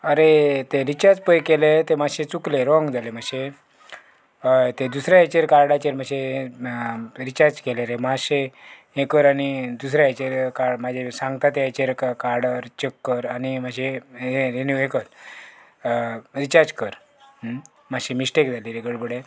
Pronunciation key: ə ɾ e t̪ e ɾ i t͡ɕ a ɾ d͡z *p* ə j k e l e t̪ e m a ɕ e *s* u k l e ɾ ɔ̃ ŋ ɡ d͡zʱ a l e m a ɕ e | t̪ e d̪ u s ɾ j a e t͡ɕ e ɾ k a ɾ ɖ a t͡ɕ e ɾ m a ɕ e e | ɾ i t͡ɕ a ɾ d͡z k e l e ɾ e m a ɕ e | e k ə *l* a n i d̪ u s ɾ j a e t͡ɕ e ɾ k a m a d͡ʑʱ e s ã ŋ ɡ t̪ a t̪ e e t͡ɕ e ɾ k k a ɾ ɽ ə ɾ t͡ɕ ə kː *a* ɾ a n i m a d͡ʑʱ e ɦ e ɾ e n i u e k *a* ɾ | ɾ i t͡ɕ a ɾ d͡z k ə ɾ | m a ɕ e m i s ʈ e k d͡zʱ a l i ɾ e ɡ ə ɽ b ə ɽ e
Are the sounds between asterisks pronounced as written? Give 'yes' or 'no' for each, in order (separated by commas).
yes, no, no, no, no